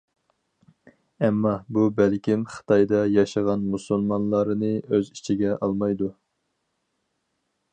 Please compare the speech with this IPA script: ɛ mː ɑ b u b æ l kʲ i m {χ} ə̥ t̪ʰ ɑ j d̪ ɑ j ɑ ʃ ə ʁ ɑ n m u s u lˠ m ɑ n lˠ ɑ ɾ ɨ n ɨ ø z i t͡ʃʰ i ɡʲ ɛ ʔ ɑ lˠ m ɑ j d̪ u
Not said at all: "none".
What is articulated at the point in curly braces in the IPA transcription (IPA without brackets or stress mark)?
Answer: χ